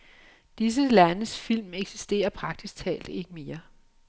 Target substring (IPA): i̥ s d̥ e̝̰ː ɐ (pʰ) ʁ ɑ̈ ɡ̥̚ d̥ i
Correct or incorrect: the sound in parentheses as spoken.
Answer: correct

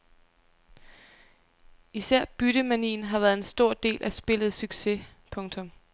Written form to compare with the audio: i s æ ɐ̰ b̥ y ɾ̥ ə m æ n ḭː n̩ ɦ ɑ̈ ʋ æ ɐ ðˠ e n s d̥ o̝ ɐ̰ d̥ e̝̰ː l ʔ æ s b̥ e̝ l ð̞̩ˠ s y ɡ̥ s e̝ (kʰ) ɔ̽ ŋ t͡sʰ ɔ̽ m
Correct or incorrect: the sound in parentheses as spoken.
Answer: incorrect: pʰ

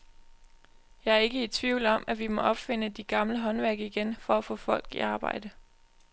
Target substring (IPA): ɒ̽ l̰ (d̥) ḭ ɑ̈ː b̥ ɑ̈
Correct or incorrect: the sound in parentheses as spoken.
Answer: incorrect: ɡ̥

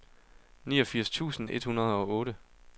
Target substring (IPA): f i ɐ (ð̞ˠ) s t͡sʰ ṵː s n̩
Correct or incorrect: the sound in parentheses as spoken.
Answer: incorrect: none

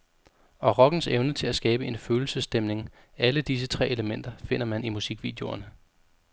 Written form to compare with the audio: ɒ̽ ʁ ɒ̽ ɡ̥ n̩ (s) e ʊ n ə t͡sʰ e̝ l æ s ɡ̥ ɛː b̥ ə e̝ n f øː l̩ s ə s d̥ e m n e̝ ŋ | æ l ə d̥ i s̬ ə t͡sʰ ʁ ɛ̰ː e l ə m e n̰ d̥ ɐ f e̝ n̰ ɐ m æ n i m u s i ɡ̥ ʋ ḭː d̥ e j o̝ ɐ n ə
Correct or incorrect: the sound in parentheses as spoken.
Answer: correct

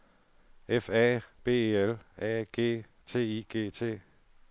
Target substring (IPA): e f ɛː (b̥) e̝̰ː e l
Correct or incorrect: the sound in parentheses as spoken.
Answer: correct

